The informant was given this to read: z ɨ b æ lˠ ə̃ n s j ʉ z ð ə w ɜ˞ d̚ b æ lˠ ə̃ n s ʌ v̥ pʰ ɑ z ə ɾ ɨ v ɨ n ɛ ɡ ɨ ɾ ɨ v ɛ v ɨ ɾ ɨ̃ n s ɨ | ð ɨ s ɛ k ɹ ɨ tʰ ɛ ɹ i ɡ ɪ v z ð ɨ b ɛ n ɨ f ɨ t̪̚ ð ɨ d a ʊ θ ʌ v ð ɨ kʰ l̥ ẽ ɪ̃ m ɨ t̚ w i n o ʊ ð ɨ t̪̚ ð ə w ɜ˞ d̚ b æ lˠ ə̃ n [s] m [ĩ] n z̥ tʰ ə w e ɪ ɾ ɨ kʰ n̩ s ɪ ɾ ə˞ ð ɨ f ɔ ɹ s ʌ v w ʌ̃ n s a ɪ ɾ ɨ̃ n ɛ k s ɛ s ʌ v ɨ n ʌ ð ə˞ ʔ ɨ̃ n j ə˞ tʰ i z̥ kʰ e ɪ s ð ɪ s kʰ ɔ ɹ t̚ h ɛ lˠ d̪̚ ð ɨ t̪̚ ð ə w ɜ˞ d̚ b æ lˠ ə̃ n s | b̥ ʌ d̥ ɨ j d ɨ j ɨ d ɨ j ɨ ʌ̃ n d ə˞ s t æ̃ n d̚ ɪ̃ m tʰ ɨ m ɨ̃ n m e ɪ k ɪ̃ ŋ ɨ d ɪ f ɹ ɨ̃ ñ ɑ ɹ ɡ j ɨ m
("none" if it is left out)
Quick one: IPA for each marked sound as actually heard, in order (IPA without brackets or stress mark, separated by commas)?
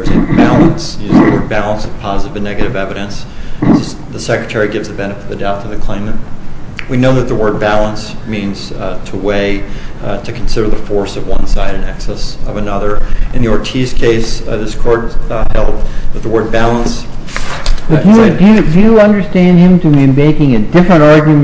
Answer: s, ĩ